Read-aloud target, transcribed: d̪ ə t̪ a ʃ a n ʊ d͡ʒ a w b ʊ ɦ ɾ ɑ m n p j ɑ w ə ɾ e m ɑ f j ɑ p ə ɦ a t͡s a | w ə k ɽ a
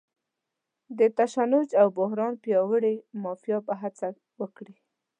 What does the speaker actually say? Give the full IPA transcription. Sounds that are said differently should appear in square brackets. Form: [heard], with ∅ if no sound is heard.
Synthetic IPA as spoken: d̪ ə t̪ a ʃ a n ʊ d͡ʒ a w b ʊ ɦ ɾ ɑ [∅] n p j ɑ w ə [ɽ] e m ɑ f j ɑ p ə ɦ a t͡s a | w ə k ɽ [i]